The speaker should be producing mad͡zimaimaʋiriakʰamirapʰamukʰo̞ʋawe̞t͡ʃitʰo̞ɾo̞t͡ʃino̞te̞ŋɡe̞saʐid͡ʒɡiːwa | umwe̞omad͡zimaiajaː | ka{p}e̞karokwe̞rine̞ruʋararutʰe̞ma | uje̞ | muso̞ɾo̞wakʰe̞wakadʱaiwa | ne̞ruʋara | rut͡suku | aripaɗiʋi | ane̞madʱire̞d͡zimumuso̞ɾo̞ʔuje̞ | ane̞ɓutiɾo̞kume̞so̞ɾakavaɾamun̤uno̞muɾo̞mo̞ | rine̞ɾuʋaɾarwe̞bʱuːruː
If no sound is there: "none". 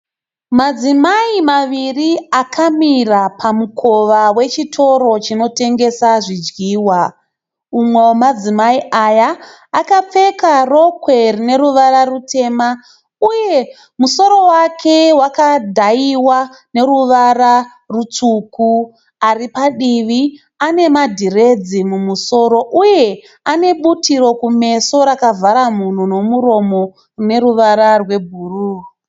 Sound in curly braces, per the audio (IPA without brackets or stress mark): p͡f